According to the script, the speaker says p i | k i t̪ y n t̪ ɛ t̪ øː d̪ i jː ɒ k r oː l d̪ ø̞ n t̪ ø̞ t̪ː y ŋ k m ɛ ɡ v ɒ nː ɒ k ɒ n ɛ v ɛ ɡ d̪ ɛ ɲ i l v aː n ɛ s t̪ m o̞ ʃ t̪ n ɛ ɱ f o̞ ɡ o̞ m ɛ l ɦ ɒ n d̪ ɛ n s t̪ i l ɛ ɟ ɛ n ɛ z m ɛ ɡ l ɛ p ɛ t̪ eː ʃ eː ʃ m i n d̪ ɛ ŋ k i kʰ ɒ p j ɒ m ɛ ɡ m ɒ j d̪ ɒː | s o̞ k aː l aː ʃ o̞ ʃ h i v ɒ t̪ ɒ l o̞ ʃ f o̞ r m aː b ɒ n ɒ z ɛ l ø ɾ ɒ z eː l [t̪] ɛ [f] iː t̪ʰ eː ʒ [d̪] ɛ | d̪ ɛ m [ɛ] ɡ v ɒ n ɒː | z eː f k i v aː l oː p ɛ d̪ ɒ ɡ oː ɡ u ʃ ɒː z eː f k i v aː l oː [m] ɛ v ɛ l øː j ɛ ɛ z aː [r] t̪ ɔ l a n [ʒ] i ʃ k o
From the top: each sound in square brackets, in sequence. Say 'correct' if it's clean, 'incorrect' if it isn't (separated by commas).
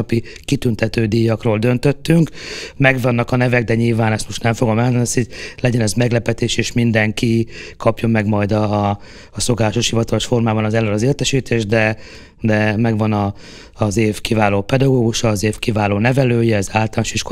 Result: correct, incorrect, correct, correct, incorrect, incorrect, incorrect